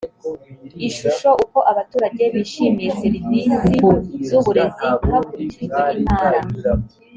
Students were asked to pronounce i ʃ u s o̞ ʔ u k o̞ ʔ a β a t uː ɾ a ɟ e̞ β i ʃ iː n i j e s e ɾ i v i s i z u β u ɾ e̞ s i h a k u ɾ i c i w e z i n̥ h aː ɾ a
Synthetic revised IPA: i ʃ u ʃ o̞ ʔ u k o̞ ʔ a β a t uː ɾ a ɟ e̞ β i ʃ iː m i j e s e ɾ i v i s i z u β u ɾ e̞ z i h a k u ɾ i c i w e i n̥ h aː ɾ a

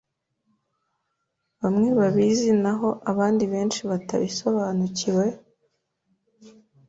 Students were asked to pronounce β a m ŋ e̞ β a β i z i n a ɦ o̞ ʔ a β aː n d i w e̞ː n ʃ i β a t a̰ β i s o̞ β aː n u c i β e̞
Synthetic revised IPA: β a m ŋ e̞ β a β i z i n a ɦ o̞ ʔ a β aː n d i β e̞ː n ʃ i β a t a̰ β i s o̞ β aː n u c i w e̞

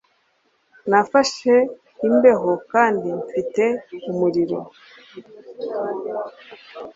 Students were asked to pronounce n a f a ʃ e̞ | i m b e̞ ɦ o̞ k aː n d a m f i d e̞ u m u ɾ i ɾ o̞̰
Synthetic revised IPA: n a f a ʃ e̞ | i m b e̞ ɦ o̞ k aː n d i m f i t e̞ u m u ɾ i ɾ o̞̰

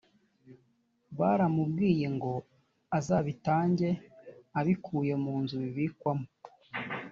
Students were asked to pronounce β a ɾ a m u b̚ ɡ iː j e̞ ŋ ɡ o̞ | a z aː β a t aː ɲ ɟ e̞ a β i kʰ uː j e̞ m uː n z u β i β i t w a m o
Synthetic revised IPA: β a ɾ a m u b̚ ɡ iː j e̞ ŋ ɡ o̞ | a z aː β i t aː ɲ ɟ e̞ a β i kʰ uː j e̞ m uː n z u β i β i k w a m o

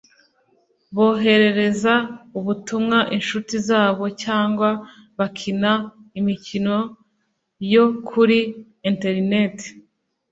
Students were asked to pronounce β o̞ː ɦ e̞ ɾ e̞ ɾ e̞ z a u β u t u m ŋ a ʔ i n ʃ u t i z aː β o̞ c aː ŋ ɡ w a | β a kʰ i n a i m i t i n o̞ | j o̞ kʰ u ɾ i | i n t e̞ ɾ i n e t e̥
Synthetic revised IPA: β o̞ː ɦ e̞ ɾ e̞ ɾ e̞ z a u β u t u m ŋ a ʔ i n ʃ u t i z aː β o̞ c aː ŋ ɡ w a | β a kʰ i n a i m i c i n o̞ | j o̞ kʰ u ɾ i | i n t e̞ ɾ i n e t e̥

